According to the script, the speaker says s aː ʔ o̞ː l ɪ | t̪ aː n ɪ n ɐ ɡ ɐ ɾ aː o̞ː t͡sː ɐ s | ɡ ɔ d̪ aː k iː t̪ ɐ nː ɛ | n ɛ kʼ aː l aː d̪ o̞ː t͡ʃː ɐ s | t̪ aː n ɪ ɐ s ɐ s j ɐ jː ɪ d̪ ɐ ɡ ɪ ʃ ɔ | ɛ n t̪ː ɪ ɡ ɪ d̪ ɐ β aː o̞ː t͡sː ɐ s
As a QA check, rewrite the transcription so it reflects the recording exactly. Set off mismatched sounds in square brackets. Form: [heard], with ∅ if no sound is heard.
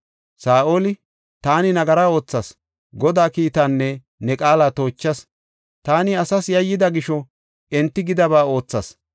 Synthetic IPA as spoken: s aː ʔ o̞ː l ɪ | t̪ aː n ɪ n ɐ ɡ ɐ ɾ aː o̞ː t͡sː ɐ s | ɡ ɔ d̪ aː k iː t̪ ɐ nː ɛ | n ɛ kʼ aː l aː [t̪] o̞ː t͡ʃː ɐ s | t̪ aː n ɪ ɐ s ɐ s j ɐ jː ɪ d̪ ɐ ɡ ɪ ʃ ɔ | ɛ n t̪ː ɪ ɡ ɪ d̪ ɐ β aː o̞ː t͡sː ɐ s